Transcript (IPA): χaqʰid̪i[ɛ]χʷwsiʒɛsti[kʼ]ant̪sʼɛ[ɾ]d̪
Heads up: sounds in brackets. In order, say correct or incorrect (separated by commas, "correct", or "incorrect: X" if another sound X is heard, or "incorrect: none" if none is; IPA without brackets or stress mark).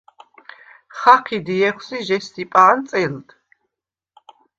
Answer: correct, incorrect: pʼ, incorrect: l